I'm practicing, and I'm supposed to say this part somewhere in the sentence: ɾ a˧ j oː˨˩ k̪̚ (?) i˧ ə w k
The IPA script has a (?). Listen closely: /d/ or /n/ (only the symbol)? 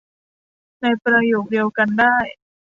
d